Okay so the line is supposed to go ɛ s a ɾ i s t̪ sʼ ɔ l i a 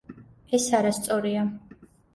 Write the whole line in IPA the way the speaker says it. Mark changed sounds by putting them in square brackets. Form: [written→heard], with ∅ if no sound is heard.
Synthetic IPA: ɛ s a ɾ [i→a] s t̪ sʼ ɔ [l→ɾ] i a